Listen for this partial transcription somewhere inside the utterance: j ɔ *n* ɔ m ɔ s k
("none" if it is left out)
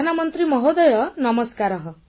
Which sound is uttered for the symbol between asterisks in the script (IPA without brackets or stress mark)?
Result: n